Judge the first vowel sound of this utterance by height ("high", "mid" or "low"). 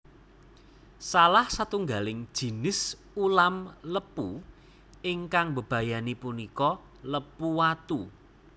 low